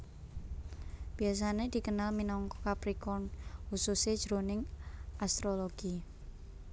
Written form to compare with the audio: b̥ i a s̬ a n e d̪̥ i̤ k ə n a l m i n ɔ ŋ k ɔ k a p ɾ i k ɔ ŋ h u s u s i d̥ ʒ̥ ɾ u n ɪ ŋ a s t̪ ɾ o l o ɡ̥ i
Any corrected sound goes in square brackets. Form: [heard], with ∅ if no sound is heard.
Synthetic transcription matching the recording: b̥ i a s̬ a n e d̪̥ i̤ k ə n a l m i n ɔ ŋ k ɔ k a p ɾ i k ɔ [n] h u s u s [e] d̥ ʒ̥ ɾ [o] n ɪ ŋ a s t̪ ɾ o l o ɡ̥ i